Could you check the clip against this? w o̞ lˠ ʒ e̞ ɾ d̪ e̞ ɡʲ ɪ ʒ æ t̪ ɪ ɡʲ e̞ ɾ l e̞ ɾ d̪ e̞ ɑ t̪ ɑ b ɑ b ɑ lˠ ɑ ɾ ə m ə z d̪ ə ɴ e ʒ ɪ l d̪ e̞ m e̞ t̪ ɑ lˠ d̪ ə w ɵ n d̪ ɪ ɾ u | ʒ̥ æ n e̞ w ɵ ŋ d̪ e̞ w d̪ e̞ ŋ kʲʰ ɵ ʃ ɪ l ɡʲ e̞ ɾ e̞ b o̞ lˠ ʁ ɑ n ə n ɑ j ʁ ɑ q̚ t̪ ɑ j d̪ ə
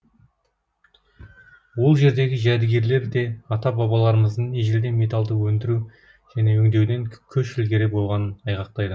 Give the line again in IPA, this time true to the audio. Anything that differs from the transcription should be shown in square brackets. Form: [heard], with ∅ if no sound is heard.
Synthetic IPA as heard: w o̞ lˠ ʒ e̞ ɾ d̪ e̞ ɡʲ ɪ ʒ æ [d̪] ɪ ɡʲ e̞ ɾ l e̞ ɾ d̪ e̞ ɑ t̪ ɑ b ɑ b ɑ lˠ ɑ ɾ ə m ə z d̪ ə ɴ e ʒ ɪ l d̪ e̞ m e̞ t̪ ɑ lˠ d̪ ə w ɵ n d̪ ɪ ɾ u | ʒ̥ æ n e̞ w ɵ ŋ d̪ e̞ w d̪ e̞ ŋ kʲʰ ɵ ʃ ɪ l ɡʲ e̞ ɾ e̞ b o̞ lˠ ʁ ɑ n ə n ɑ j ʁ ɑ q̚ t̪ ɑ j d̪ ə